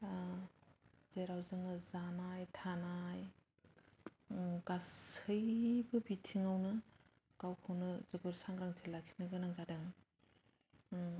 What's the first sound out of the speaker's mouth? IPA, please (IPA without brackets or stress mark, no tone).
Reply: z